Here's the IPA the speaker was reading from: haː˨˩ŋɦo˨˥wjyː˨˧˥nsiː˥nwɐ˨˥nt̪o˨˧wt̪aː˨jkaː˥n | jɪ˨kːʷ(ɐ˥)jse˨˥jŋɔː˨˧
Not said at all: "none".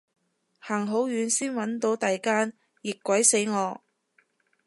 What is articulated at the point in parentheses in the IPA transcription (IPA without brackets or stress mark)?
ɐ˨˥